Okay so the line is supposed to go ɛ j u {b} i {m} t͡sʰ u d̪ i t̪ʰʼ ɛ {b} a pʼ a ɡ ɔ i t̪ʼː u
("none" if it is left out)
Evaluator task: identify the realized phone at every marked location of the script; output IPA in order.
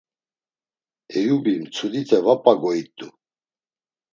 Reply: b, m, v

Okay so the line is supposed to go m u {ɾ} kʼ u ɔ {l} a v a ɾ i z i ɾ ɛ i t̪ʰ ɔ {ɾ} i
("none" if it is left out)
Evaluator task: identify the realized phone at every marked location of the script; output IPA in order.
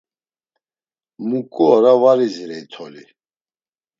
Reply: none, ɾ, l

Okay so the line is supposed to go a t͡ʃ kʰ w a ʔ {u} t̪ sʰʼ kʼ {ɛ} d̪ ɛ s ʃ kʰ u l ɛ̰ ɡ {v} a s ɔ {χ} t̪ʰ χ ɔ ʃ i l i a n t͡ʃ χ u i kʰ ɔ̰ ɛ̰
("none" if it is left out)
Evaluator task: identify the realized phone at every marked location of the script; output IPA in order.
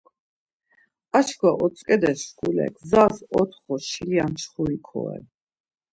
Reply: ɔ, ɛ, z, none

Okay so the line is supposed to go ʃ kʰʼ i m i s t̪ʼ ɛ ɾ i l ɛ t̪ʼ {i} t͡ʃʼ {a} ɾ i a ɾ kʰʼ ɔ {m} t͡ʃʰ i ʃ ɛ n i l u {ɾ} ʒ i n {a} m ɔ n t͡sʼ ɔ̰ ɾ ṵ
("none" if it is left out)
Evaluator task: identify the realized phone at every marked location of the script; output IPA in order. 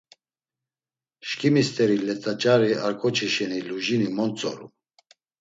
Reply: a, a, none, none, i

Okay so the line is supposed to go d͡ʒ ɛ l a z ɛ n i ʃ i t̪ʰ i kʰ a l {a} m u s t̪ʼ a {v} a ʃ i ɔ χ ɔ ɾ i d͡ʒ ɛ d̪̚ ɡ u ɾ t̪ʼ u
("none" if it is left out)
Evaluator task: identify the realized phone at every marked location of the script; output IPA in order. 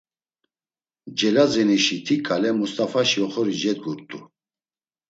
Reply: ɛ, f

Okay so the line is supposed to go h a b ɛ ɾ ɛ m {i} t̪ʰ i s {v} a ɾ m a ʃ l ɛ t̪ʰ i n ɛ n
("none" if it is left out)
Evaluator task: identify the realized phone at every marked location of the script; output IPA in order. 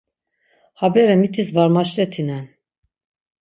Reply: i, v

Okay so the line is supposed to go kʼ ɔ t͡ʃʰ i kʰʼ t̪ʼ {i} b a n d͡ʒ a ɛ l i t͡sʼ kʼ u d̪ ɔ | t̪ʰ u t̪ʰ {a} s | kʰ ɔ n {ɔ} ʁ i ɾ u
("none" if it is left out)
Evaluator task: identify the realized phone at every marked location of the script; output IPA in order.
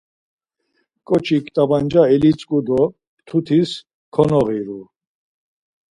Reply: a, i, ɔ

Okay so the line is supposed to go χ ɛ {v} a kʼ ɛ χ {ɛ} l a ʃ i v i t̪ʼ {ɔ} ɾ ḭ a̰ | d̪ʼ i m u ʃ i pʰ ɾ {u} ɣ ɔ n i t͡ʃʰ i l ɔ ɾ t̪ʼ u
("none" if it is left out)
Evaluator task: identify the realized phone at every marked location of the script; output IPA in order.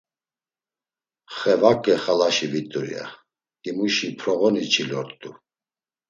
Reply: v, a, u, ɔ

